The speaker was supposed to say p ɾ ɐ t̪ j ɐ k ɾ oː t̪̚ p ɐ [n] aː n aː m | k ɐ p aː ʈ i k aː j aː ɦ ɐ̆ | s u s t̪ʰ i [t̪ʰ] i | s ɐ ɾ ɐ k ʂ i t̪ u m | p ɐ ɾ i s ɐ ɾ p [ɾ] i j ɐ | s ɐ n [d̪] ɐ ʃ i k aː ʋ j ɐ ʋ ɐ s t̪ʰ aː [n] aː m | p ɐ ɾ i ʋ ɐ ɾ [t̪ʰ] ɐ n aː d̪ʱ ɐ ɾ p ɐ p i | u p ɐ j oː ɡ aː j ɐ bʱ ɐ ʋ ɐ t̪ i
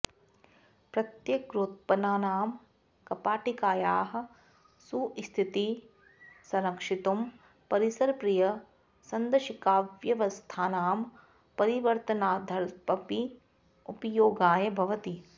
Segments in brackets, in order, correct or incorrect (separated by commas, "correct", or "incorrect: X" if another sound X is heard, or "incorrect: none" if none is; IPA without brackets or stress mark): correct, incorrect: t̪, correct, correct, correct, incorrect: t̪